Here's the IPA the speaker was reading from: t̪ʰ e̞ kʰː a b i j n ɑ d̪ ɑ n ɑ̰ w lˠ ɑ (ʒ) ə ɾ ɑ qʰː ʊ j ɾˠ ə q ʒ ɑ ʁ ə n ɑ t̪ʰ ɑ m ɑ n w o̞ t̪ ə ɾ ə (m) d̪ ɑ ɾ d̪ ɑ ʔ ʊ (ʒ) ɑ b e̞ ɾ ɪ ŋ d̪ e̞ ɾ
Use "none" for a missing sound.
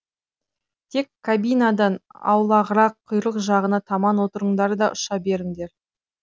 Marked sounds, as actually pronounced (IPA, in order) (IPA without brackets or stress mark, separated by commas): ʁ, ɴ, ʃ